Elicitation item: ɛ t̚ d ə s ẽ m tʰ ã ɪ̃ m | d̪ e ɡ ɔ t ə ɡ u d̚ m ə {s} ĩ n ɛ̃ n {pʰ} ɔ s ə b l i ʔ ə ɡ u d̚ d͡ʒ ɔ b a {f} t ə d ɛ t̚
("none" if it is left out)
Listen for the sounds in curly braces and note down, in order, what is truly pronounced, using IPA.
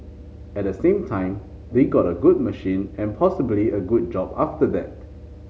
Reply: ʃ, pʰ, f

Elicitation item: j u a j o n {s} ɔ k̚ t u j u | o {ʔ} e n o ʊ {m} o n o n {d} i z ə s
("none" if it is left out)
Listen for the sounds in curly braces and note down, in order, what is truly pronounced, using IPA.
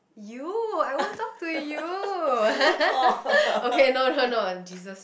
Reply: t, k, n, d͡ʒ

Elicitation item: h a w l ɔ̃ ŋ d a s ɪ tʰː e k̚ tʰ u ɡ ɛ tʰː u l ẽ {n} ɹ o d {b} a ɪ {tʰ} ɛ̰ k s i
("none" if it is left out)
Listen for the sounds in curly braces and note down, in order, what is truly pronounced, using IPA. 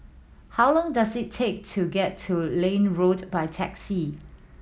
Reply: n, b, tʰ

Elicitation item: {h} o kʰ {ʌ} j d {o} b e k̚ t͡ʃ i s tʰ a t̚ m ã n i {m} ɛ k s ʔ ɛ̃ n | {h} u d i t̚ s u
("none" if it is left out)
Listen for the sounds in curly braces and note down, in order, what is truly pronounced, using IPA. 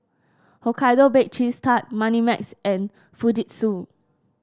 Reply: h, a, o, m, f

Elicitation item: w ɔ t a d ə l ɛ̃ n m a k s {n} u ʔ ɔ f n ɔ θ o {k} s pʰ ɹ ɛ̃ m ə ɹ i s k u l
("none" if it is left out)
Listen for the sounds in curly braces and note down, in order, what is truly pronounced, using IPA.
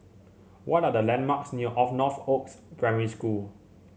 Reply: n, k

